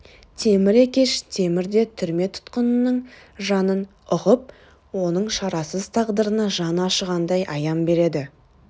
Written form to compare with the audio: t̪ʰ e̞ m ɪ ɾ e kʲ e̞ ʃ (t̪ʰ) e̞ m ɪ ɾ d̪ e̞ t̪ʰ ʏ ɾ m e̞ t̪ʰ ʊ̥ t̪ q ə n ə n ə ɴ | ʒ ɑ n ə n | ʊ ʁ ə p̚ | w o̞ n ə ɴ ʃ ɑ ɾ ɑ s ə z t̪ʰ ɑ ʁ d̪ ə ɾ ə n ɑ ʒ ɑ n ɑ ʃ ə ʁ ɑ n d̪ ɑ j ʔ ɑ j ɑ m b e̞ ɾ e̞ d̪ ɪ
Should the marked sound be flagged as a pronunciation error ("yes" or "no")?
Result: no